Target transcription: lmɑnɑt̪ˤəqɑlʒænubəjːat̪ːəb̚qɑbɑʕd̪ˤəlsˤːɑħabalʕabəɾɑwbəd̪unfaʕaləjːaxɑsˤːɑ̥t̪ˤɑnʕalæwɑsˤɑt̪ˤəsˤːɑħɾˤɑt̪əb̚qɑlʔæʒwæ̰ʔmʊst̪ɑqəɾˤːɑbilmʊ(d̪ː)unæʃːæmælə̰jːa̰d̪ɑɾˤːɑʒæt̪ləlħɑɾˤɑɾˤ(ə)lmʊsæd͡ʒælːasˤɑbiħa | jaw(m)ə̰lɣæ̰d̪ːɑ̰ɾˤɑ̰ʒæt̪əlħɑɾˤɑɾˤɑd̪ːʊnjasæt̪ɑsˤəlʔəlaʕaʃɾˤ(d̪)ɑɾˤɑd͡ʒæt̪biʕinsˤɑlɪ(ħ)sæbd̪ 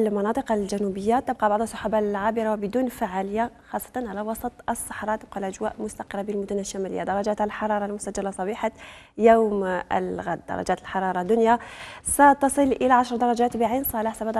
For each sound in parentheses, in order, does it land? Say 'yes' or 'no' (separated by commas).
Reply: no, no, yes, yes, yes